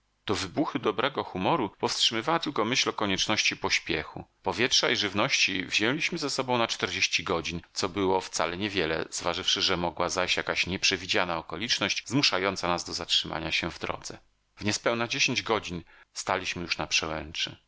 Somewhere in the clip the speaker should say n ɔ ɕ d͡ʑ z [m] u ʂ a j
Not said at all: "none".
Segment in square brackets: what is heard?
m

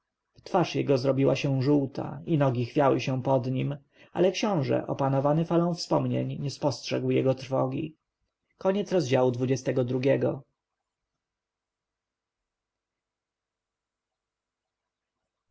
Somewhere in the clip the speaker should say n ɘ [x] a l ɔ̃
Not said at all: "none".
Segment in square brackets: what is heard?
f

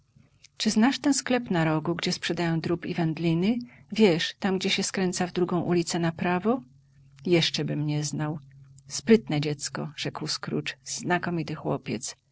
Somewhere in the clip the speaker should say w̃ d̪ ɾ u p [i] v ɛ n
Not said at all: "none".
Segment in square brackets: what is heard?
i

